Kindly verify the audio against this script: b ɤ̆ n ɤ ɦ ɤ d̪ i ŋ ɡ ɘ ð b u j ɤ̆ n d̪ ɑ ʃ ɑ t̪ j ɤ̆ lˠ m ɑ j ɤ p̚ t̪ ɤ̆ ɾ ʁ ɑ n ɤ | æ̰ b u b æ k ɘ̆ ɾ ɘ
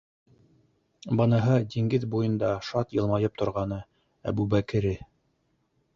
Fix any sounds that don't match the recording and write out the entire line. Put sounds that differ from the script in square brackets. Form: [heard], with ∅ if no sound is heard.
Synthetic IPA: b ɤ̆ n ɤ ɦ ɤ d̪ i ŋ ɡ ɘ ð b u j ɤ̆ n d̪ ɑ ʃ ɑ t̪ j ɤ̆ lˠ m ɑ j ɤ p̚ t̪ [ŏ] ɾ ʁ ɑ n ɤ | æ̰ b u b æ k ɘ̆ ɾ ɘ